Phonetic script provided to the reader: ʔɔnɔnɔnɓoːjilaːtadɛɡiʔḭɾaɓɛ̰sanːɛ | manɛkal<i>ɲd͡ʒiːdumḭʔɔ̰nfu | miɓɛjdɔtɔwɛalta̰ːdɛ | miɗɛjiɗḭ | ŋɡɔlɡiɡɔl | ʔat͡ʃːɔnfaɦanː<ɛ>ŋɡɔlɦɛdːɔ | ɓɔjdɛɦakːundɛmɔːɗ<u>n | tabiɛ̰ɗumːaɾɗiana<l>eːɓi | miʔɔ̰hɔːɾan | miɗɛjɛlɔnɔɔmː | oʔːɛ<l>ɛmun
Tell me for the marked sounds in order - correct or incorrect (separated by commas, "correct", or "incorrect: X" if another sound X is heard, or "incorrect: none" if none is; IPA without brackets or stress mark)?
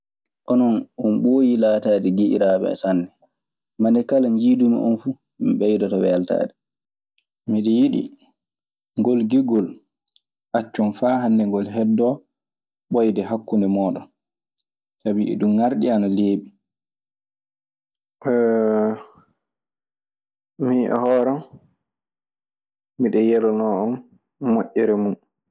incorrect: a, correct, incorrect: ɔ, correct, incorrect: ɾ